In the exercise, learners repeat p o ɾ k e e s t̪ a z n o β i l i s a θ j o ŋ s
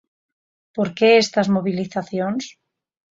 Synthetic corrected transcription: p o ɾ k e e s t̪ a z m o β i l i θ a θ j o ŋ s